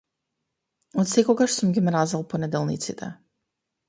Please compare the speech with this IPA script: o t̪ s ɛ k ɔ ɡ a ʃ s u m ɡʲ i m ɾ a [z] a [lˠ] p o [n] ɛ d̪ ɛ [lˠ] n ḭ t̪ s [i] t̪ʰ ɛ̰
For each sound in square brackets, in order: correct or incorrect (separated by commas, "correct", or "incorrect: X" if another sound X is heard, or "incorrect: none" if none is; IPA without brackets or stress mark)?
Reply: correct, correct, correct, correct, correct